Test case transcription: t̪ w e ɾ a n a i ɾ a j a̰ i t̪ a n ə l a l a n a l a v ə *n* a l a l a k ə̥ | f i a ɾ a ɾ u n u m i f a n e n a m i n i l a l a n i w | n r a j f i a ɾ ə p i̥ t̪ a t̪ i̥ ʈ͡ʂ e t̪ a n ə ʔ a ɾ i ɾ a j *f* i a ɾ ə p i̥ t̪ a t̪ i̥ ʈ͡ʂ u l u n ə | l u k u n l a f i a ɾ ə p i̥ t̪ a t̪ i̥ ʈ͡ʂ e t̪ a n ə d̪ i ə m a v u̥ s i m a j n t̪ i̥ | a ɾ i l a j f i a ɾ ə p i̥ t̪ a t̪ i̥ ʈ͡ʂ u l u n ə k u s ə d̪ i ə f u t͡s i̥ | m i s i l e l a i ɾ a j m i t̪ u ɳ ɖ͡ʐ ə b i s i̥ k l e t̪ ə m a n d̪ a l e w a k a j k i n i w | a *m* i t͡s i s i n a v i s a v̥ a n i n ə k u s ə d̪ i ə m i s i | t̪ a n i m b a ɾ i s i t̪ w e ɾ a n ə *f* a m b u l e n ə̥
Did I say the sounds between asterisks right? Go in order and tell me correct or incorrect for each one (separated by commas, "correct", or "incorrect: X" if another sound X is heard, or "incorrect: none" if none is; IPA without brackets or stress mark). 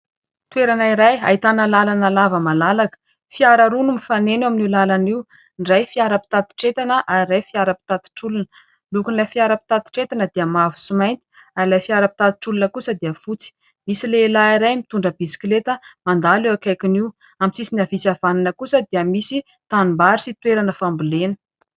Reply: incorrect: m, correct, correct, correct